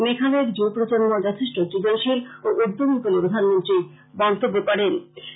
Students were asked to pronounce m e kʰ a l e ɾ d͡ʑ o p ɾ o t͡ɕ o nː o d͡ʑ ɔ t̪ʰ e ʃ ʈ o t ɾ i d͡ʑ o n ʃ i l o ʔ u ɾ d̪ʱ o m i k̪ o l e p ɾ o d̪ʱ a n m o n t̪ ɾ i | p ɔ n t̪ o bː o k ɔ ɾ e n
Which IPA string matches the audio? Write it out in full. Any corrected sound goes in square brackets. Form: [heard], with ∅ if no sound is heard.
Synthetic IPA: m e kʰ a l e ɾ d͡ʑ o p ɾ o t͡ɕ o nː o d͡ʑ ɔ t̪ʰ e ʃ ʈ o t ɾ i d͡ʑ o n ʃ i l o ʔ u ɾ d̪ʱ o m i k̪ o l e p ɾ o d̪ʱ a n m o n t̪ ɾ i | [b] ɔ n t̪ o bː o k ɔ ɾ e n